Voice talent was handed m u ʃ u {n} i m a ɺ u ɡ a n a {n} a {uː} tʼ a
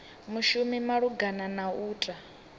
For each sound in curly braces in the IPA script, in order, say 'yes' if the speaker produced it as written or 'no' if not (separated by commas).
no, yes, yes